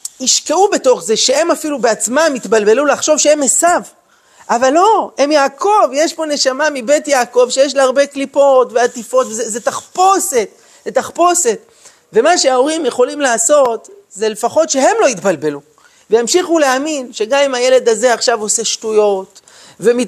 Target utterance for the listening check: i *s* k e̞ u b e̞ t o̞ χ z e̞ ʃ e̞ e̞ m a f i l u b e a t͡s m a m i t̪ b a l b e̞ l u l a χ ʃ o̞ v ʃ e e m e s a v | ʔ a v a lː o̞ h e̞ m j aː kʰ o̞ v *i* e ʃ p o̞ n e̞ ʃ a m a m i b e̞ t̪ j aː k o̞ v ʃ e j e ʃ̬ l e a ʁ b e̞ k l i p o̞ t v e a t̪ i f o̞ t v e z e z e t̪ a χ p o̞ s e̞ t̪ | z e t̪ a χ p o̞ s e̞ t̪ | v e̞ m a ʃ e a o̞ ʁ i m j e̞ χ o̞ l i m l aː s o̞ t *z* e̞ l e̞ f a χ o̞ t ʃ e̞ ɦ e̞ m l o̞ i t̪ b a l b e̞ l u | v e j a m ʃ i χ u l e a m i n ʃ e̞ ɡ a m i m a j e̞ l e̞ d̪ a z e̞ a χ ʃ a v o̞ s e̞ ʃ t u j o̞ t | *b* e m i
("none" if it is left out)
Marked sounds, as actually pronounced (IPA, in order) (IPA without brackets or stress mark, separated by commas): ʃ, j, z, v